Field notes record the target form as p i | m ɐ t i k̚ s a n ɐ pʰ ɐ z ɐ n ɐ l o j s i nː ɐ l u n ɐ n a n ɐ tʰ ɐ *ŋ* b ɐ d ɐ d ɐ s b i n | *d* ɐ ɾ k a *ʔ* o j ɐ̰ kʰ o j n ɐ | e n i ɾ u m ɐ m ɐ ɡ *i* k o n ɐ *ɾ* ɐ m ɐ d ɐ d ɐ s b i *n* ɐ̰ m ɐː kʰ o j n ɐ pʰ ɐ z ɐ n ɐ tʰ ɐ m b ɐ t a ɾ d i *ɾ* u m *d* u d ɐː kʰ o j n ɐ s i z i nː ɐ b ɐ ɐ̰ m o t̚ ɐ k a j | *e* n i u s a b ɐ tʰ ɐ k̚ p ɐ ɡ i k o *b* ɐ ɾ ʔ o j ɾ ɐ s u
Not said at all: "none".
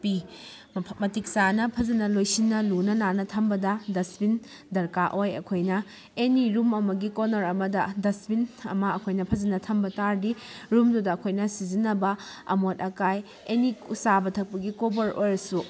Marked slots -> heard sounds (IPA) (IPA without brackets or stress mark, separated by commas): m, d, ʔ, i, ɾ, n, ɾ, d, e, b